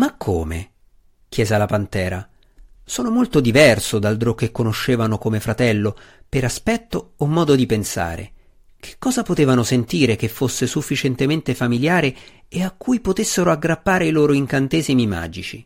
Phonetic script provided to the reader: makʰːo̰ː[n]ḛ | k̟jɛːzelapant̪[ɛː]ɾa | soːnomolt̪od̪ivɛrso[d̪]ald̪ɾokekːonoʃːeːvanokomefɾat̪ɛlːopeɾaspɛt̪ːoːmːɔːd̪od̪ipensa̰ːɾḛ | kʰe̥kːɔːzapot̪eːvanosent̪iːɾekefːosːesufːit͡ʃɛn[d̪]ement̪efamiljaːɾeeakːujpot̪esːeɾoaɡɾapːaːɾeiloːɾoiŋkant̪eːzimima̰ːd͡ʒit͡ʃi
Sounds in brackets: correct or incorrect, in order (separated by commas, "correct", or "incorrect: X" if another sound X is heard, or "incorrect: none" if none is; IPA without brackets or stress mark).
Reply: incorrect: m, correct, correct, incorrect: t̪